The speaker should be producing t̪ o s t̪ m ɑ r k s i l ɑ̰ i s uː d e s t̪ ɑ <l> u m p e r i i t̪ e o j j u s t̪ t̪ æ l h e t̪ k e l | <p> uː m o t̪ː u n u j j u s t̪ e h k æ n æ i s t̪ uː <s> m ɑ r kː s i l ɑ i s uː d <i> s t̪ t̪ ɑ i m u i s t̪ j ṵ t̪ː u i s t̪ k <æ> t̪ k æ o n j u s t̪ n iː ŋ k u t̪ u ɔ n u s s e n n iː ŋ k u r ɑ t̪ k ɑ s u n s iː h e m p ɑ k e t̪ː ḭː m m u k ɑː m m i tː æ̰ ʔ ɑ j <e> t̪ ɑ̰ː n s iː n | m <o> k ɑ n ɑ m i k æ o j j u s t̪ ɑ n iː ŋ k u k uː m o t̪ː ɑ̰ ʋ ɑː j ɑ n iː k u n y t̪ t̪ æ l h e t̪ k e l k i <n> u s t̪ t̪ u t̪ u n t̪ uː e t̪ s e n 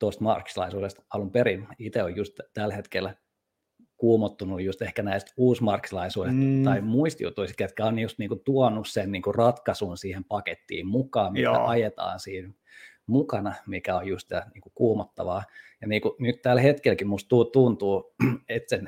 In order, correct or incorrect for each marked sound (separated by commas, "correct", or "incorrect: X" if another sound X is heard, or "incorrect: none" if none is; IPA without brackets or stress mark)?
correct, incorrect: k, correct, incorrect: e, incorrect: e, correct, incorrect: u, incorrect: m